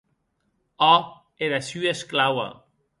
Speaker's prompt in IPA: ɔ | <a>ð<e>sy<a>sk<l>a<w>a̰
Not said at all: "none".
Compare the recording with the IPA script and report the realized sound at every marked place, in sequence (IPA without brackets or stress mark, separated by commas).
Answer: e, a, e, l, w